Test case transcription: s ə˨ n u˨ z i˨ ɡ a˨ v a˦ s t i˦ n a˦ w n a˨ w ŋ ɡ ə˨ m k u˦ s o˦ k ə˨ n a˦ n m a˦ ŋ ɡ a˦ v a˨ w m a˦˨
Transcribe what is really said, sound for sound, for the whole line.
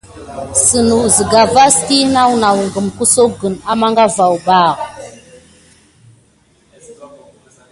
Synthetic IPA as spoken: s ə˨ n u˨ z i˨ ɡ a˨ v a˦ s t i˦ n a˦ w n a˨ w ŋ ɡ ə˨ m k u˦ s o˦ ɡ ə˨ n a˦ m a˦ ŋ ɡ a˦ v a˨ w b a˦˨